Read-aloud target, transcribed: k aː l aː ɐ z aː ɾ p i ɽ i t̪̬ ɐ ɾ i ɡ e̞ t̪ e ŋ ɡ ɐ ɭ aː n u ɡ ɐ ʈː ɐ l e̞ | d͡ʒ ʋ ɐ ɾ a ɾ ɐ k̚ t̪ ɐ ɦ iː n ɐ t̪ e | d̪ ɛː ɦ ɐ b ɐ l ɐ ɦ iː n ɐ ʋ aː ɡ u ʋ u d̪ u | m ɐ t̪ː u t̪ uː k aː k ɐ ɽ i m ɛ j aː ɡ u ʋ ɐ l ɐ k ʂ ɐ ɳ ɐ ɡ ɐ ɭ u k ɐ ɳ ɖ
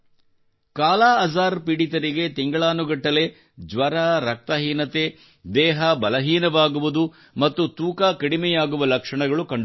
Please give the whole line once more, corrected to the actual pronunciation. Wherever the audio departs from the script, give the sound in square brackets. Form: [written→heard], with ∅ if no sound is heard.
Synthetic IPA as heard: k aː l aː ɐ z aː ɾ p i ɽ i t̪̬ ɐ ɾ i ɡ e̞ t̪ [e→i] ŋ ɡ ɐ ɭ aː n u ɡ ɐ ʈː ɐ l e̞ | d͡ʒ ʋ ɐ ɾ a ɾ ɐ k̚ t̪ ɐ ɦ iː n ɐ t̪ e | d̪ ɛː ɦ ɐ b ɐ l ɐ ɦ iː n ɐ ʋ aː ɡ u ʋ u d̪ u | m ɐ t̪ː u t̪ uː k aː k ɐ ɽ i m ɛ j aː ɡ u ʋ ɐ l ɐ k ʂ ɐ ɳ ɐ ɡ ɐ ɭ u k ɐ ɳ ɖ